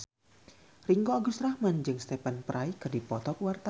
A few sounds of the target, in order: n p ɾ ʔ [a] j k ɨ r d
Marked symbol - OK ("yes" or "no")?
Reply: yes